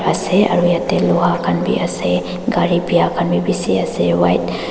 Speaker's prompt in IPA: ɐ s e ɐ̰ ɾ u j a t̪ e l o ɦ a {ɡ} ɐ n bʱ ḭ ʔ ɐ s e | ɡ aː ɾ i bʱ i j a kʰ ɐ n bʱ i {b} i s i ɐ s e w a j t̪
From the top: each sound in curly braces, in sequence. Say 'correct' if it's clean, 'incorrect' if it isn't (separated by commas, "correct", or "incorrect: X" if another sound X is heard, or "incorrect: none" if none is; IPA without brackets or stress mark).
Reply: incorrect: k, correct